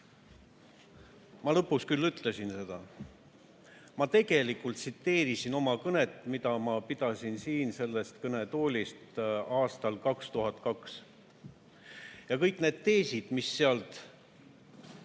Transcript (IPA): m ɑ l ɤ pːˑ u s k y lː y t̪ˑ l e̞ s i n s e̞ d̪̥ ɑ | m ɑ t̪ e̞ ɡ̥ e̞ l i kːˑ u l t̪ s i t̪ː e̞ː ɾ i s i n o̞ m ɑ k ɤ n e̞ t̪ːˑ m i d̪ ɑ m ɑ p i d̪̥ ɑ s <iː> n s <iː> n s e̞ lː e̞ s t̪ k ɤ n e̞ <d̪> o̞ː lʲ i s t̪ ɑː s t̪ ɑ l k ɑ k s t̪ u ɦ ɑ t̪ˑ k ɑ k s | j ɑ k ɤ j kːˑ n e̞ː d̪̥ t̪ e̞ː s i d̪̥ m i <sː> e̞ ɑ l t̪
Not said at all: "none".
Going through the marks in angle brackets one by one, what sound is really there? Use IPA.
i, iː, t̪, sː

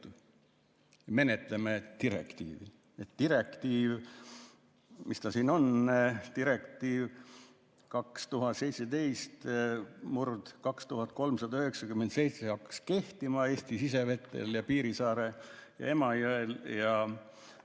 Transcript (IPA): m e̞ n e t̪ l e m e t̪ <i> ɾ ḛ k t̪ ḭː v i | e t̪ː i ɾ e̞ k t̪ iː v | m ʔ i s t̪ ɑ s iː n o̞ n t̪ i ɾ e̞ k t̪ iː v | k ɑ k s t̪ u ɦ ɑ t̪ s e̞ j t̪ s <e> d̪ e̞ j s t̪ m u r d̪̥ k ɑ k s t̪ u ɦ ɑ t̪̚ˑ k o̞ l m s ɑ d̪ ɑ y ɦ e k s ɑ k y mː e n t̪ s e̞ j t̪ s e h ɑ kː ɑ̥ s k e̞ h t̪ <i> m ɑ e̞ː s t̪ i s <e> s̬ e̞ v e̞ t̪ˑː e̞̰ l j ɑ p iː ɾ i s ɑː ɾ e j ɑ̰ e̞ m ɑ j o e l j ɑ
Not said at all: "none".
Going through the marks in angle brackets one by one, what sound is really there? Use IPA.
i, e, i, i

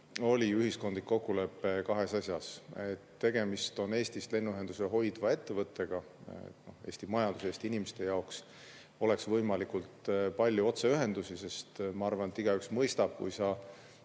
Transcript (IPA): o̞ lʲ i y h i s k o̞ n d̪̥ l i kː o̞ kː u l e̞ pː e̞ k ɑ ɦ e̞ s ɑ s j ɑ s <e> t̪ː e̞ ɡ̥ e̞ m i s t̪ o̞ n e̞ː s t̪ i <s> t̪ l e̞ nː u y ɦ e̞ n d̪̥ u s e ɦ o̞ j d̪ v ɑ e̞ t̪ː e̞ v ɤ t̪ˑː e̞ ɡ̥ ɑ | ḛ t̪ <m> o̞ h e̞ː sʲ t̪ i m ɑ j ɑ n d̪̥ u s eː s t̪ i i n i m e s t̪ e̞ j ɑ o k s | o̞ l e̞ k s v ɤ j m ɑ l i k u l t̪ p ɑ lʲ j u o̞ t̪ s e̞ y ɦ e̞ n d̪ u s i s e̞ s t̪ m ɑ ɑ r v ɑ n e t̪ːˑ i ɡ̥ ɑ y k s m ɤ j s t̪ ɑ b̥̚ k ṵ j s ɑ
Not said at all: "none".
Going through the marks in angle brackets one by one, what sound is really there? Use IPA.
e, s, n

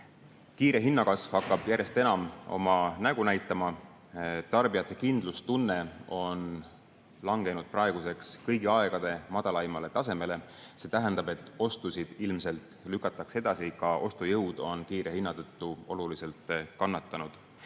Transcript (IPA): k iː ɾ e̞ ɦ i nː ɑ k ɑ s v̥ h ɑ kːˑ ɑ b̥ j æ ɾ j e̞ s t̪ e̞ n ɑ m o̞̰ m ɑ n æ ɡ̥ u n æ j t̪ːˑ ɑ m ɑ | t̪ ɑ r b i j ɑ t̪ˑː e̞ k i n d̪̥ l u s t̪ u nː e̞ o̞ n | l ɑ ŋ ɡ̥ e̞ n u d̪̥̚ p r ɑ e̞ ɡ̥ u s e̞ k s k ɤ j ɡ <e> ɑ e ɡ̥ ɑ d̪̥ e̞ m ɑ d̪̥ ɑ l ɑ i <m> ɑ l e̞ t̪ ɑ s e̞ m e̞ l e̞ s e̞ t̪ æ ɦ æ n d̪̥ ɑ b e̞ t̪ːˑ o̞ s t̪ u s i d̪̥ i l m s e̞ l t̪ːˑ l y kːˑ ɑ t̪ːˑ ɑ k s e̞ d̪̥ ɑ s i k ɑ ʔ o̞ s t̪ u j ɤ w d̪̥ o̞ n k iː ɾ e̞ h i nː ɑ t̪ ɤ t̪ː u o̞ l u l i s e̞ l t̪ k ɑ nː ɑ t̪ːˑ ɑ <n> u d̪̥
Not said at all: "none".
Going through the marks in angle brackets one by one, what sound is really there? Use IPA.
i, m, n

